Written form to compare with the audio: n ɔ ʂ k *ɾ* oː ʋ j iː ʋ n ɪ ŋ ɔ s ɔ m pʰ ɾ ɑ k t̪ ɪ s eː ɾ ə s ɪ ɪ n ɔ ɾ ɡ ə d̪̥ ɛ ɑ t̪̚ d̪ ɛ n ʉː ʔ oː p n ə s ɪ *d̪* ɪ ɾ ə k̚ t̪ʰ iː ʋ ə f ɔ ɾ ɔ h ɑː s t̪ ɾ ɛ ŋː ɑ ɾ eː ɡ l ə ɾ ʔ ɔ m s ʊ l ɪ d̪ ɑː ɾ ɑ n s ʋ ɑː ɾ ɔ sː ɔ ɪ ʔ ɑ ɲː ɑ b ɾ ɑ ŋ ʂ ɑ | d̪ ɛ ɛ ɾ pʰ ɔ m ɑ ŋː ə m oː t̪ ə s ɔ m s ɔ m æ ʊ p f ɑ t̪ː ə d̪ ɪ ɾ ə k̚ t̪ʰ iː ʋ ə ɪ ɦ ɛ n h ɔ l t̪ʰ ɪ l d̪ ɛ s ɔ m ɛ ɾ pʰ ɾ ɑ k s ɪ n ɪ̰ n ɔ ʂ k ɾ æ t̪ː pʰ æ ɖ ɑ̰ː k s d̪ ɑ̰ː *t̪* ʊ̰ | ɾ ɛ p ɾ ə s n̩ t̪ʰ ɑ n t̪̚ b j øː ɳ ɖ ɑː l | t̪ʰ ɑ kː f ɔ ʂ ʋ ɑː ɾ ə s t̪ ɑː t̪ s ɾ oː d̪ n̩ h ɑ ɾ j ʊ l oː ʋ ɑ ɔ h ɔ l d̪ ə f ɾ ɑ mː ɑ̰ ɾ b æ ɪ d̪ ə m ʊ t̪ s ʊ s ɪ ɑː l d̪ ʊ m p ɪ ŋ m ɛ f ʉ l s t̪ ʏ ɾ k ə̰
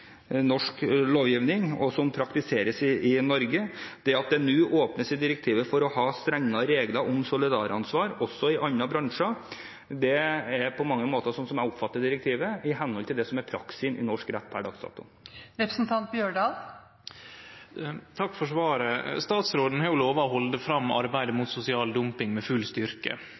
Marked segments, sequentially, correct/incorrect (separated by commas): incorrect, correct, correct